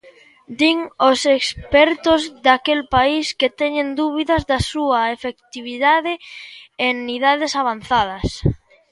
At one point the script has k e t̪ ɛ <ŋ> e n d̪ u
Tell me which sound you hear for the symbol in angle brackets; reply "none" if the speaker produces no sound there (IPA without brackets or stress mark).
ɲ